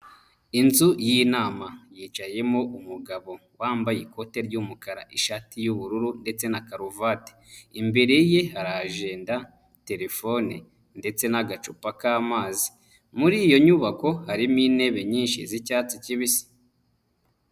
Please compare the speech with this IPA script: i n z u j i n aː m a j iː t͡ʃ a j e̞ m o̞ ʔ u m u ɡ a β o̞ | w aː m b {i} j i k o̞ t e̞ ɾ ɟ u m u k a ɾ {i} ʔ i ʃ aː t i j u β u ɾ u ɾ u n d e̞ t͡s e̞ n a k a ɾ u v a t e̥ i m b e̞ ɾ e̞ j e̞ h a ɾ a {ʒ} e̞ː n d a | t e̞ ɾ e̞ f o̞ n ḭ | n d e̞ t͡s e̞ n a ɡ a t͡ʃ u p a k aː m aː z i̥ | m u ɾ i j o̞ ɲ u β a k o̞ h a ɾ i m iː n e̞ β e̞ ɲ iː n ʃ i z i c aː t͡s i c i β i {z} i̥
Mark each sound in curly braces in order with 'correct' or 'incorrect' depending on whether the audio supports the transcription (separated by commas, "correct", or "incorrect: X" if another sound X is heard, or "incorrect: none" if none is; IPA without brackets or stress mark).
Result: incorrect: a, incorrect: a, correct, incorrect: s